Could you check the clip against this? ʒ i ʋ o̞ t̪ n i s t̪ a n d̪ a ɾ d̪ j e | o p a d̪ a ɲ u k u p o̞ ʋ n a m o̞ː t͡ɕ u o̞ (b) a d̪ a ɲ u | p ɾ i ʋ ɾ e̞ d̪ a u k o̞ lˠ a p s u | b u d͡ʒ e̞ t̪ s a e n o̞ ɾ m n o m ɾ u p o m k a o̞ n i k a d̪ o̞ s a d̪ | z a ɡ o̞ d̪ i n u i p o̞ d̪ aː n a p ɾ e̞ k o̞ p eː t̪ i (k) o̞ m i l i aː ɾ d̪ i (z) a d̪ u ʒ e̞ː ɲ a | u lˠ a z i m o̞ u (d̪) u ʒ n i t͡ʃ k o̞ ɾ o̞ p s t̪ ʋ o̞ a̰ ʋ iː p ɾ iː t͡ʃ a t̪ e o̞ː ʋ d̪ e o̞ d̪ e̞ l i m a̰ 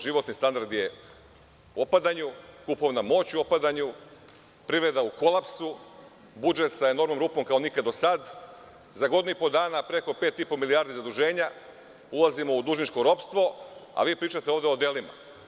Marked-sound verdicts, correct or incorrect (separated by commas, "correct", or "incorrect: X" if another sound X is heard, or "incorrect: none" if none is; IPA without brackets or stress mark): incorrect: p, incorrect: p, correct, correct